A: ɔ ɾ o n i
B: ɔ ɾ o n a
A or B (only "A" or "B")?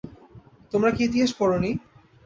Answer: A